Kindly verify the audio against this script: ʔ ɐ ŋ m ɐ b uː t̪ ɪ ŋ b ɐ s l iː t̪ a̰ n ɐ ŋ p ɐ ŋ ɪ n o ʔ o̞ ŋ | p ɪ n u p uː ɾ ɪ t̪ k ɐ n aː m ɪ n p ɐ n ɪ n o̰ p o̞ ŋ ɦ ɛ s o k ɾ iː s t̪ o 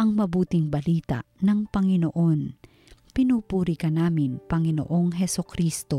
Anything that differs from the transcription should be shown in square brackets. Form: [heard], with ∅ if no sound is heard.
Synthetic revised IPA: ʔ ɐ ŋ m ɐ b uː t̪ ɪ ŋ b ɐ [∅] l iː t̪ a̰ n ɐ ŋ p ɐ ŋ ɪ n o ʔ o̞ [n] | p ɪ n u p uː ɾ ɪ [∅] k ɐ n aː m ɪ n p ɐ [ŋ] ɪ n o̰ [ʔ] o̞ ŋ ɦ ɛ s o k ɾ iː s t̪ o